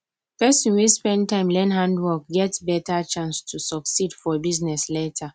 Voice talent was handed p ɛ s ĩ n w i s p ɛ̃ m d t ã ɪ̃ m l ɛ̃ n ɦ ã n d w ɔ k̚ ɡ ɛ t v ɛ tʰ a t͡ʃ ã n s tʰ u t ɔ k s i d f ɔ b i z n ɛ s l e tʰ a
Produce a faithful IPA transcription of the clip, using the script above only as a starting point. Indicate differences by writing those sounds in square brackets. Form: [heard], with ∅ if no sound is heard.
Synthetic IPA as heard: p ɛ s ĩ n w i s p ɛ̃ [n] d t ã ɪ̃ m l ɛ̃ n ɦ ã n d w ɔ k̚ ɡ ɛ t [b] ɛ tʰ a t͡ʃ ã n s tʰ u [s] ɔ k s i d f ɔ b i z n ɛ s l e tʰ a